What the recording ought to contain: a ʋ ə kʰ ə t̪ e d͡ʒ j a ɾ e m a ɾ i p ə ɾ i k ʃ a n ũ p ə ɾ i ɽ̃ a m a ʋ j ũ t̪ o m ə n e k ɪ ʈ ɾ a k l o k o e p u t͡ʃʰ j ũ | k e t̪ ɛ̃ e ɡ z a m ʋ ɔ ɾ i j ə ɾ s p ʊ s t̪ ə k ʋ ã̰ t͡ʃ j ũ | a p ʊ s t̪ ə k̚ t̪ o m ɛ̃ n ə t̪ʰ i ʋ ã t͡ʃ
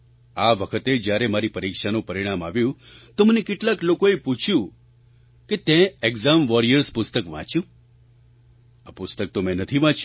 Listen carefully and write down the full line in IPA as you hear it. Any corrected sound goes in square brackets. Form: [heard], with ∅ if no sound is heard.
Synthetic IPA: a ʋ ə kʰ ə t̪ e d͡ʒ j a ɾ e m a ɾ i p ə ɾ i k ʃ a n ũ p ə ɾ i ɽ̃ a m a ʋ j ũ t̪ o m ə n e k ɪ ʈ [l] a k l o k o e p u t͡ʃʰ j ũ | k e t̪ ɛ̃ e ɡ z a m ʋ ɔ ɾ i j ə ɾ s p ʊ s t̪ ə k ʋ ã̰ t͡ʃ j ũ | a p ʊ s t̪ ə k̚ t̪ o m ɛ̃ n ə t̪ʰ i ʋ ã t͡ʃ

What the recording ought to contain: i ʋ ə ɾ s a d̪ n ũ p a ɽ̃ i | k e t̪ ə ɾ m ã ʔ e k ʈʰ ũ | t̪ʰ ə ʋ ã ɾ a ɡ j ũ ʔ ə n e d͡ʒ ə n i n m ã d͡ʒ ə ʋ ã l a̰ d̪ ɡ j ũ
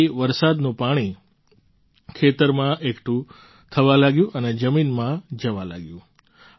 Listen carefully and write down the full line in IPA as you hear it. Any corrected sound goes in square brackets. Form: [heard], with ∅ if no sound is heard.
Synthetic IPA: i ʋ ə ɾ s a d̪ n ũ p a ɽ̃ i | [kʰ] e t̪ ə ɾ m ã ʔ e k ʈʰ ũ | t̪ʰ ə ʋ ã [l] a ɡ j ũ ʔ ə n e d͡ʒ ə [m] i n m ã d͡ʒ ə ʋ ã l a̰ [∅] ɡ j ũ

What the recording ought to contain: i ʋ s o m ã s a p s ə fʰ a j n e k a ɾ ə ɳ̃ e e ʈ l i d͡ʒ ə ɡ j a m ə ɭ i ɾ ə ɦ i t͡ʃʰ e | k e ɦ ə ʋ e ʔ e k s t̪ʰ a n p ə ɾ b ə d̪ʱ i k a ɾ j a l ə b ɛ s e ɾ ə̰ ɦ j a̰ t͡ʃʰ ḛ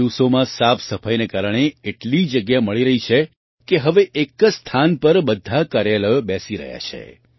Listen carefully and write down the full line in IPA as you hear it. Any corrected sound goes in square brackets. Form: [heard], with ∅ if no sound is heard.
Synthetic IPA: i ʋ s o m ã s a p s ə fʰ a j n e k a ɾ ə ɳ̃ e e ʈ l i d͡ʒ ə ɡ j a m ə ɭ i ɾ ə ɦ i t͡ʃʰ e | k e ɦ ə ʋ e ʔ e k s t̪ʰ a n p ə ɾ b ə d̪ʱ [a] k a ɾ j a l ə b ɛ s [i] ɾ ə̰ ɦ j a̰ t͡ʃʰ ḛ

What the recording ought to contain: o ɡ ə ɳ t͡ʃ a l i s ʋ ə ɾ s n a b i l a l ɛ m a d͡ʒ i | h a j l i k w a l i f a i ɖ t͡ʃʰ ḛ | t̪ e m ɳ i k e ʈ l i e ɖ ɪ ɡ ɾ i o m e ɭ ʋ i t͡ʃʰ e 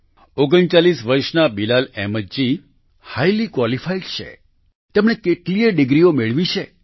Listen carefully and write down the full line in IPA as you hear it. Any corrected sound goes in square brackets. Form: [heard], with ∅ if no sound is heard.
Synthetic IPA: o ɡ ə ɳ t͡ʃ a l i s ʋ ə ɾ [ʃ] n a b i l a l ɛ m [ə] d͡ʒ i | h a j l i k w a l i f a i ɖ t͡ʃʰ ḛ | t̪ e m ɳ [e] k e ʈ l i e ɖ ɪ ɡ ɾ i o m e ɭ ʋ i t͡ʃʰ e

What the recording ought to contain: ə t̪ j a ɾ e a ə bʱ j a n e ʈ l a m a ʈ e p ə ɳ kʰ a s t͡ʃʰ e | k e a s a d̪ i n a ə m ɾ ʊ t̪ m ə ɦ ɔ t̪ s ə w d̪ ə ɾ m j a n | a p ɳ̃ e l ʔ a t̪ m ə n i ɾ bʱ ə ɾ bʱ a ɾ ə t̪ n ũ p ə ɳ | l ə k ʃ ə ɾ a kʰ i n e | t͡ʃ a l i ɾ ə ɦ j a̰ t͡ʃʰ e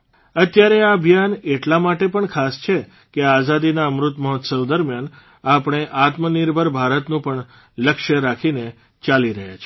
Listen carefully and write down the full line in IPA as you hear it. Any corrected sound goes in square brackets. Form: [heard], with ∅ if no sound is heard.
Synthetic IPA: ə t̪ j a ɾ e a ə bʱ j a n e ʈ l a m a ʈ e p ə ɳ kʰ a s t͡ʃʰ e | k e a [z] a d̪ i n a ə m ɾ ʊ t̪ m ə ɦ ɔ t̪ s ə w d̪ ə ɾ m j a n | a p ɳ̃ e [∅] ʔ a t̪ m ə n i ɾ bʱ ə ɾ bʱ a ɾ ə t̪ n ũ p ə ɳ | l ə k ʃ ə ɾ a kʰ i n e | t͡ʃ a l i ɾ ə ɦ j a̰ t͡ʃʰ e

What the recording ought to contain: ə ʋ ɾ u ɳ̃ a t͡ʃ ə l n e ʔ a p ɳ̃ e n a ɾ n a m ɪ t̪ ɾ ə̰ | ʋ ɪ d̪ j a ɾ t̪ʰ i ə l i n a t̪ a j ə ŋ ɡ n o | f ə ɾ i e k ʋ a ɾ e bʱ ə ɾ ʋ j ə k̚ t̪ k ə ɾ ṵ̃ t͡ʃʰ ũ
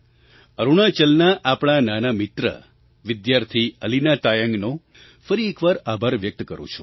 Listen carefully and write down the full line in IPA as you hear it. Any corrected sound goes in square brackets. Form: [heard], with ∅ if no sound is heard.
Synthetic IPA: ə [∅] ɾ u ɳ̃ a t͡ʃ ə l n [a] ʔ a p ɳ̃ [a] n a [∅] n a m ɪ t̪ ɾ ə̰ | ʋ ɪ d̪ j a ɾ t̪ʰ i ə l i n a t̪ a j ə ŋ ɡ n o | f ə ɾ i e k ʋ a ɾ [a] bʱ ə ɾ ʋ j ə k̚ t̪ k ə ɾ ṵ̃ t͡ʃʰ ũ

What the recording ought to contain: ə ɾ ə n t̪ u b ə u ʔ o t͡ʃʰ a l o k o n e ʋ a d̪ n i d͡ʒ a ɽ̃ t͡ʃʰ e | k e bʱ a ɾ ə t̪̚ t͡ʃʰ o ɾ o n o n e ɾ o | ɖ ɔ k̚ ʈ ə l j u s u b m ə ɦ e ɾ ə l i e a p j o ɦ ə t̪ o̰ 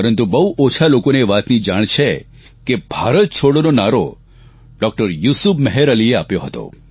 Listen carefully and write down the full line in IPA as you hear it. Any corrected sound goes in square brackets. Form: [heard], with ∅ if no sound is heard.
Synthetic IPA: ə ɾ ə n t̪ u b ə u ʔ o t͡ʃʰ a l o k o n e ʋ a [t̪] n i d͡ʒ a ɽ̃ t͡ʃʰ e | k e bʱ a ɾ ə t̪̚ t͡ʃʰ o [ɽ] o n o n [a] ɾ o | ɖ ɔ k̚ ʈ ə [ɾ] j u s u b m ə ɦ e ɾ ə l i e a p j o ɦ ə t̪ o̰

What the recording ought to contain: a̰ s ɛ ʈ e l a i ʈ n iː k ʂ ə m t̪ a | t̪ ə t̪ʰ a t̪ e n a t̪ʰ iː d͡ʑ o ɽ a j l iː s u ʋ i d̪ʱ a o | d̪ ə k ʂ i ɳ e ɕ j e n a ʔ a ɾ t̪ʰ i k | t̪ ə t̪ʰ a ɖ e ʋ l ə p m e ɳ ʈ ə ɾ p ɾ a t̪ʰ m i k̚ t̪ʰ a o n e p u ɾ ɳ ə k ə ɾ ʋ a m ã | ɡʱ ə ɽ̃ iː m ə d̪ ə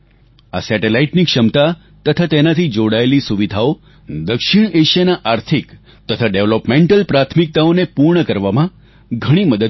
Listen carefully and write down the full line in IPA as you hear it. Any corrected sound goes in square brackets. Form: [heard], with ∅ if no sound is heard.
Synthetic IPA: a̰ s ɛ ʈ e l a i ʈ n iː k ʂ ə m t̪ a | t̪ ə t̪ʰ a t̪ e n a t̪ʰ iː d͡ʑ o ɽ a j l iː s u ʋ i d̪ʱ a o | d̪ ə k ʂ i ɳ e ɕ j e n a ʔ a ɾ t̪ʰ i k | t̪ ə t̪ʰ a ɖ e ʋ l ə p m e ɳ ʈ ə [l] p ɾ a t̪ʰ m i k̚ [t̪] a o n e p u ɾ ɳ ə k ə ɾ ʋ a m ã | ɡʱ ə ɽ̃ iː m ə d̪ ə

